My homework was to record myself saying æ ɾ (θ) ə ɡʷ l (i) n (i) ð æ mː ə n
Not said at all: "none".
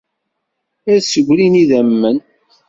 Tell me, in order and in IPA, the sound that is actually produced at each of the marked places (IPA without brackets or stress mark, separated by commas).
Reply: s, i, i